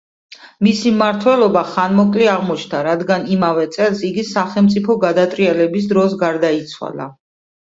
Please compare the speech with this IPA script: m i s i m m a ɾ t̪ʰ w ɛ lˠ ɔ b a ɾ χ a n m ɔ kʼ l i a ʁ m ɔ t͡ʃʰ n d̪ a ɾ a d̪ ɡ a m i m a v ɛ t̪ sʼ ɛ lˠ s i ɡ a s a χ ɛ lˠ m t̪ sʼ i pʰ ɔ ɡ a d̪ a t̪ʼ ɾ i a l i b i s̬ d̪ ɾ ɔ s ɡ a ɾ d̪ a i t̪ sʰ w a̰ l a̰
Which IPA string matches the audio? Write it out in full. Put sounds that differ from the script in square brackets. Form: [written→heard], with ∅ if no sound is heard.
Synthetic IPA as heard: m i s i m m a ɾ t̪ʰ w ɛ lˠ ɔ b a [ɾ→∅] χ a n m ɔ kʼ l i a ʁ m ɔ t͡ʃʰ n d̪ a ɾ a d̪ ɡ a [m→n] i m a v ɛ t̪ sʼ ɛ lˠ s i ɡ [a→i] s a χ ɛ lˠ m t̪ sʼ i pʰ ɔ ɡ a d̪ a t̪ʼ ɾ i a l [i→ɛ] b i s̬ d̪ ɾ ɔ s ɡ a ɾ d̪ a i t̪ sʰ w a̰ l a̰